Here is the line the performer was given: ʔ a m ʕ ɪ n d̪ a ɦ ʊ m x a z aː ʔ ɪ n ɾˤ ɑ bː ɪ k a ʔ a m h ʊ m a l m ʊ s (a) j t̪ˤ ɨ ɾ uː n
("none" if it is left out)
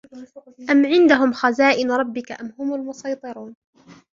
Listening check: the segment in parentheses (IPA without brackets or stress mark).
ɑ